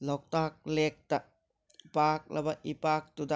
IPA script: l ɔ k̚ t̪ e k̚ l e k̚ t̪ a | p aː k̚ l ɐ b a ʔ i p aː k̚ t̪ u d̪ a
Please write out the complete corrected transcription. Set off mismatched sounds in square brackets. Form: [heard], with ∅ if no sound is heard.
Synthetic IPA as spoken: l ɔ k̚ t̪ [a] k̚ l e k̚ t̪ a | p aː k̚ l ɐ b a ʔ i p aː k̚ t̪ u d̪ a

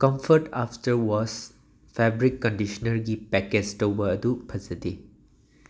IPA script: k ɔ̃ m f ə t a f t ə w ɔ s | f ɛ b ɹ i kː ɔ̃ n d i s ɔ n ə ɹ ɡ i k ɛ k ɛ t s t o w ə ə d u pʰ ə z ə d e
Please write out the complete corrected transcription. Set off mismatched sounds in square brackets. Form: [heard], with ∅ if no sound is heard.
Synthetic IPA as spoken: k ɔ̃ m f ə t a f t ə w ɔ s | f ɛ b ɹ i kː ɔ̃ n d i [ʃ] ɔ n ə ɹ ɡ i [p] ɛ k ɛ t s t o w ə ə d u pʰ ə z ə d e

